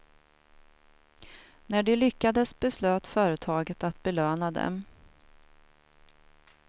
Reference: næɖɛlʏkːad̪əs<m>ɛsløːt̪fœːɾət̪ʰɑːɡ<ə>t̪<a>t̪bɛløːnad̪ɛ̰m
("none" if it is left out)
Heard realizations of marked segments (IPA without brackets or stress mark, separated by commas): b, ə, a